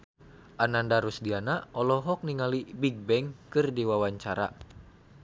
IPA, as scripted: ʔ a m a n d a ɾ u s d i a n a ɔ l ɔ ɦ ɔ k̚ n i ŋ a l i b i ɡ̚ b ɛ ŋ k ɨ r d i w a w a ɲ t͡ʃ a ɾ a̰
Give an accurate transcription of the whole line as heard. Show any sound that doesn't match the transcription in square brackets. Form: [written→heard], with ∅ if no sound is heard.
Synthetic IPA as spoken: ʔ a [m→n] a n d a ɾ u s d i a n a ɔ l ɔ ɦ ɔ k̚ n i ŋ a l i b i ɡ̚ b ɛ ŋ k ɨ r d i w a w a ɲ t͡ʃ a ɾ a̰